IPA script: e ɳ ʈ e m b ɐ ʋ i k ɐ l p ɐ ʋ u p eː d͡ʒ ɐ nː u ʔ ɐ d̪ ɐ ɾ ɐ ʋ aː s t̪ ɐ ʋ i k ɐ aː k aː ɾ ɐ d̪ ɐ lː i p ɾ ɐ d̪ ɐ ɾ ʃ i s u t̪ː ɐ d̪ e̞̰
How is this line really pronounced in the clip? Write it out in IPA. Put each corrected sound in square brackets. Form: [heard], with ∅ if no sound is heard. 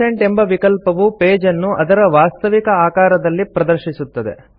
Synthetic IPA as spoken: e ɳ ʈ e m b ɐ ʋ i k ɐ l p ɐ ʋ u p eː d͡ʒ ɐ nː u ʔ ɐ d̪ ɐ ɾ ɐ ʋ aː s t̪ ɐ ʋ i k ɐ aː k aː ɾ ɐ d̪ ɐ lː i p ɾ ɐ d̪ ɐ ɾ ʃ i s u t̪ː ɐ d̪ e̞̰